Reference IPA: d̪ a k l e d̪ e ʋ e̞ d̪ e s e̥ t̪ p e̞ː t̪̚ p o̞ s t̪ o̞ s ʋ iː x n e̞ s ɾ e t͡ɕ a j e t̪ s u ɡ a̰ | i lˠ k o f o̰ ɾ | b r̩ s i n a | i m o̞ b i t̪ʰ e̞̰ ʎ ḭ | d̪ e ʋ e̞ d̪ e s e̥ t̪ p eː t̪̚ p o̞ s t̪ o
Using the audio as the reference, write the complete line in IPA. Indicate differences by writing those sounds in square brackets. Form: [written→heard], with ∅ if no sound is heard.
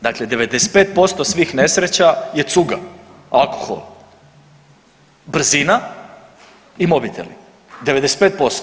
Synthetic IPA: d̪ a k l e d̪ e ʋ e̞ d̪ e s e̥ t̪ p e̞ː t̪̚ p o̞ s t̪ o̞ s ʋ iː x n e̞ s ɾ e t͡ɕ a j e t̪ s u ɡ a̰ | [i→a] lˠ k o [f→x] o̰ [ɾ→l] | b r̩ [s→z] i n a | i m o̞ b i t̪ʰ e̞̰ [ʎ→l] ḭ | d̪ e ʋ e̞ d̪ e s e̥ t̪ p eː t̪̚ p o̞ s t̪ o

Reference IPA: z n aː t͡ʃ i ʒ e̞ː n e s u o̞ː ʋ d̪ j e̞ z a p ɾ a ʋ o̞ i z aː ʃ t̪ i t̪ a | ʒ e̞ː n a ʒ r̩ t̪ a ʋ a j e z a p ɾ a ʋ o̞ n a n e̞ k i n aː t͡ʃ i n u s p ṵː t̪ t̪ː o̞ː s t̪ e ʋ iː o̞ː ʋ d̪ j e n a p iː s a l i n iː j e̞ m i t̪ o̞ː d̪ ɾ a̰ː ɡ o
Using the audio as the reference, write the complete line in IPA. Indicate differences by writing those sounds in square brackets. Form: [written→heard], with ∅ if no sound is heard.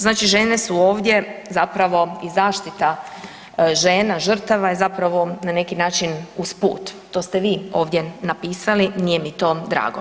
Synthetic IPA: z n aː t͡ʃ i ʒ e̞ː n e s u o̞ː ʋ d̪ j e̞ z a p ɾ a ʋ o̞ i z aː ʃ t̪ i t̪ a | ʒ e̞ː n a ʒ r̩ t̪ a ʋ a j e z a p ɾ a ʋ o̞ n a n e̞ k i n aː t͡ʃ i n u s p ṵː t̪ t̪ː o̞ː s t̪ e ʋ iː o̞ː ʋ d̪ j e n a p iː s a l i n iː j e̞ m i t̪ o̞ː d̪ ɾ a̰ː ɡ o

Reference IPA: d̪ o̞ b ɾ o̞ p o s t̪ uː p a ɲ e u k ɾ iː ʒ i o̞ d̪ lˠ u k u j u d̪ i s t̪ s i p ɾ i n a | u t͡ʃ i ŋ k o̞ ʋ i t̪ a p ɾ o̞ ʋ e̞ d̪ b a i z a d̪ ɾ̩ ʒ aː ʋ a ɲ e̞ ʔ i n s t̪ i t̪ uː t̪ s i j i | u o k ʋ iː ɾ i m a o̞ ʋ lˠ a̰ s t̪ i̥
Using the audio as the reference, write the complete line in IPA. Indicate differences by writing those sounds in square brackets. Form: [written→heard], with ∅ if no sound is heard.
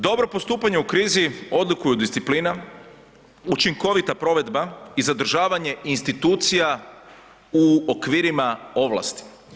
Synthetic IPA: d̪ o̞ b ɾ o̞ p o s t̪ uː p a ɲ e u k ɾ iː [ʒ→z] i o̞ d̪ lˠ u k u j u d̪ i s t̪ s i p [ɾ→l] i n a | u t͡ʃ i ŋ k o̞ ʋ i t̪ a p ɾ o̞ ʋ e̞ d̪ b a i z a d̪ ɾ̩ ʒ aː ʋ a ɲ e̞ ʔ i n s t̪ i t̪ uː t̪ s i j [i→a] | u o k ʋ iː ɾ i m a o̞ ʋ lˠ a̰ s t̪ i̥

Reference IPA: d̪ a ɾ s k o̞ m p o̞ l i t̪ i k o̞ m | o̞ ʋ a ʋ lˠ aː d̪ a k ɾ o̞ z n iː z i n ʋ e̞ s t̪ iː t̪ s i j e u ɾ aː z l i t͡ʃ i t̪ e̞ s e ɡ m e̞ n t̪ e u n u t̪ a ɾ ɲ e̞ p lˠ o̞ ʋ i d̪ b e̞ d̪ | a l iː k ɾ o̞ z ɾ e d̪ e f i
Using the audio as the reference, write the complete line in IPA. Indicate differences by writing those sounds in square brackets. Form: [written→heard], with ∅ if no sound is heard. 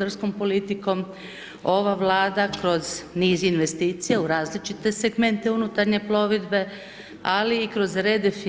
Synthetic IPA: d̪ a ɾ s k o̞ m p o̞ l i t̪ i k o̞ m | o̞ ʋ a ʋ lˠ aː d̪ a k ɾ o̞ z n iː z i n ʋ e̞ s t̪ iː t̪ s i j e u ɾ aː z l i t͡ʃ i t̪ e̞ s e ɡ m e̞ n t̪ e u n u t̪ a ɾ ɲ e̞ p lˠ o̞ ʋ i d̪ b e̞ [d̪→∅] | a l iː k ɾ o̞ z ɾ e d̪ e f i

